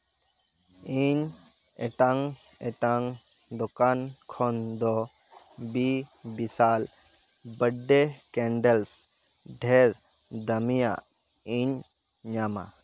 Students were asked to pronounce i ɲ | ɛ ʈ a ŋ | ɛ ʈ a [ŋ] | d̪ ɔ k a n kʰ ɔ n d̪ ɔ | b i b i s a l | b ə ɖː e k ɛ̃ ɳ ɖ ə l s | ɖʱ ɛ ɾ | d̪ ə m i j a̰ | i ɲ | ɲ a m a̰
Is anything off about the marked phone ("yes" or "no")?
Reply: no